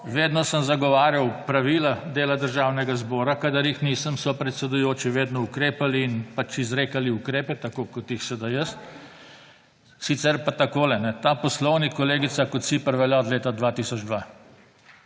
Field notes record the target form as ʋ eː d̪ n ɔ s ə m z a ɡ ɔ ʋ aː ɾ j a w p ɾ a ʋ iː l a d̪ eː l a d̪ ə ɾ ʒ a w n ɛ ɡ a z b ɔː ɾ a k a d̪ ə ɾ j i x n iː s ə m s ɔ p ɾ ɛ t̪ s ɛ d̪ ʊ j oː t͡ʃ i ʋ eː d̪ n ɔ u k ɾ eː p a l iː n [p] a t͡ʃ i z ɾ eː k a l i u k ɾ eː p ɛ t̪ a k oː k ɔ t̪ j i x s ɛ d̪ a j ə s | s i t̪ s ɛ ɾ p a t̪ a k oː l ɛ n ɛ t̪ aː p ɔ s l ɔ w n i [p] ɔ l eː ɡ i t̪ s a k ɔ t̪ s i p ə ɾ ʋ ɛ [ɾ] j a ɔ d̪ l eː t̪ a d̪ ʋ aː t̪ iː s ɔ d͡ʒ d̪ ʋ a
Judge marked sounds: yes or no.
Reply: yes, no, no

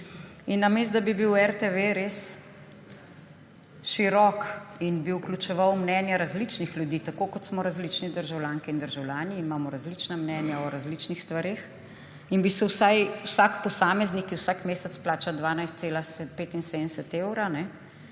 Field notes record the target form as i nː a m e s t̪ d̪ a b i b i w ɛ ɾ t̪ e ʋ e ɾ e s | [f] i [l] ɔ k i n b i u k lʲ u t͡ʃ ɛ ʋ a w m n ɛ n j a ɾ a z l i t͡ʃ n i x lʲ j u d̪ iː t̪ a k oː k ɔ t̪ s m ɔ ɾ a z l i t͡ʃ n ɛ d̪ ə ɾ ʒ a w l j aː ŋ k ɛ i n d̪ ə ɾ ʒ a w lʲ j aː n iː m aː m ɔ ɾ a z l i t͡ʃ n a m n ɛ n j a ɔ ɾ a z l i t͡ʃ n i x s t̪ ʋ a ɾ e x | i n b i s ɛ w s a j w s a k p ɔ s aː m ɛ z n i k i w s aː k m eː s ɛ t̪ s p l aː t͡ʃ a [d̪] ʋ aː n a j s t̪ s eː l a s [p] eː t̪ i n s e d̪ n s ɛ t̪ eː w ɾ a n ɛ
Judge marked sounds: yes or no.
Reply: no, no, yes, yes

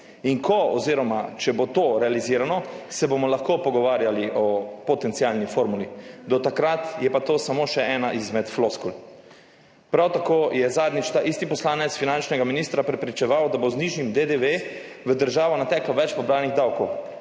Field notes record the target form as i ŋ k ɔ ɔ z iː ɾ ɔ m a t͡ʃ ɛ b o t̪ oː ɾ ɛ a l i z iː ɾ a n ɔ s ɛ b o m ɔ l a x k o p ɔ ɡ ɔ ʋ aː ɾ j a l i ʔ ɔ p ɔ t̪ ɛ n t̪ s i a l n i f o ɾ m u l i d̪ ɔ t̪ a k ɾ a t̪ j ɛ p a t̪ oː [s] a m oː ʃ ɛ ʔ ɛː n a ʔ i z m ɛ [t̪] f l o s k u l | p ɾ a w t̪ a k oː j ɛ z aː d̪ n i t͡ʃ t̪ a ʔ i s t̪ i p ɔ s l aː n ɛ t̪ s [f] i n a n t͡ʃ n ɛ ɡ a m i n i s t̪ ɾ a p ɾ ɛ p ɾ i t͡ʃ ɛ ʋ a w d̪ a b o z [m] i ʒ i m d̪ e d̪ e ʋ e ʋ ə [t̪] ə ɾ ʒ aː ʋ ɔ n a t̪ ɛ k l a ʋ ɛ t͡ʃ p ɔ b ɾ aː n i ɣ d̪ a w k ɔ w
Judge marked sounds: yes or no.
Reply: yes, yes, yes, no, no

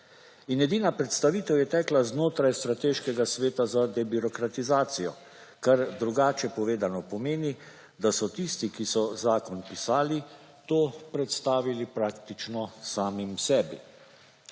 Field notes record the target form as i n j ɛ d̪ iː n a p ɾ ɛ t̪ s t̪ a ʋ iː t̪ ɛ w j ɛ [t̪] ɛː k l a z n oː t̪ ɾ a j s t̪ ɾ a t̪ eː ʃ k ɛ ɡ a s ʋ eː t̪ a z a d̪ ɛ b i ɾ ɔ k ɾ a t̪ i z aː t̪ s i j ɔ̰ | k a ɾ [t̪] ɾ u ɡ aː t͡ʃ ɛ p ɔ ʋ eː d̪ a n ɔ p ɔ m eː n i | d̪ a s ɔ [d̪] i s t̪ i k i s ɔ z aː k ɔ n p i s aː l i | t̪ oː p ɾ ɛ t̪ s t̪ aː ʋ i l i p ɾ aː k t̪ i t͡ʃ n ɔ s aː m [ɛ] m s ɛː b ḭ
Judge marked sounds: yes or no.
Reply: yes, no, no, no

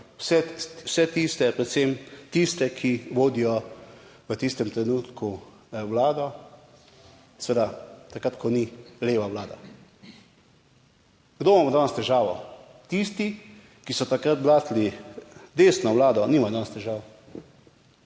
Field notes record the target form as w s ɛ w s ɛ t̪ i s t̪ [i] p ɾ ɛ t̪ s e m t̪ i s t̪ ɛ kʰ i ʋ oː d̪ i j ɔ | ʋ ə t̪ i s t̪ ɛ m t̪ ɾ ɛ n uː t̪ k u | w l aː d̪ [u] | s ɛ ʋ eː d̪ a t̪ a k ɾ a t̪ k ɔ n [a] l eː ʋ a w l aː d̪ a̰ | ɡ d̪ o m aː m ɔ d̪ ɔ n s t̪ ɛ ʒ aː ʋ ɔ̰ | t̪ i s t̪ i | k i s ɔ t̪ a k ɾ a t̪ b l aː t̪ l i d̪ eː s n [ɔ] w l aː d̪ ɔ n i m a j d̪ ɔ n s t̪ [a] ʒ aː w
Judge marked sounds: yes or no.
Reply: no, no, no, yes, no

